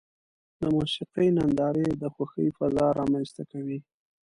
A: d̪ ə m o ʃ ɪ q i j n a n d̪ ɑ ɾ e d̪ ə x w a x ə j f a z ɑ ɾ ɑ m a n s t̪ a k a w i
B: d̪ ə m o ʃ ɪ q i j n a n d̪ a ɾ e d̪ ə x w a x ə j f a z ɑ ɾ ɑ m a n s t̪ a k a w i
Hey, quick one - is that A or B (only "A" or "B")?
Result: A